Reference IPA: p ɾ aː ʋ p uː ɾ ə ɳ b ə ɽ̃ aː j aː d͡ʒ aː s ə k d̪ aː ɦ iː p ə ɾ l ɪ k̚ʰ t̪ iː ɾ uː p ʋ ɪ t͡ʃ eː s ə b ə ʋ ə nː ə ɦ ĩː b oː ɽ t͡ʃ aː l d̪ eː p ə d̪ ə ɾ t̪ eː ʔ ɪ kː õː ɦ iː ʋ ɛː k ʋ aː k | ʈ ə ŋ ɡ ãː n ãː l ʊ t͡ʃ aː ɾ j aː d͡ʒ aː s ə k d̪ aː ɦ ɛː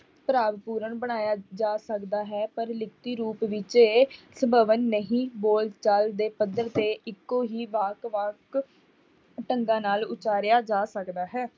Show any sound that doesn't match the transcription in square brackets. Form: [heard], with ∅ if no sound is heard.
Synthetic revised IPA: p ɾ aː ʋ p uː ɾ ə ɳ b ə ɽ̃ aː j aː d͡ʒ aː s ə k d̪ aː ɦ [ɛː] p ə ɾ l ɪ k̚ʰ t̪ iː ɾ uː p ʋ ɪ t͡ʃ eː s ə b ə ʋ ə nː ə ɦ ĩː b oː [l] t͡ʃ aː l d̪ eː p ə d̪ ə ɾ t̪ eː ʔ ɪ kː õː ɦ iː ʋ [aː] k ʋ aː k | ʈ ə ŋ ɡ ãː n [aː] l ʊ t͡ʃ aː ɾ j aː d͡ʒ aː s ə k d̪ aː ɦ ɛː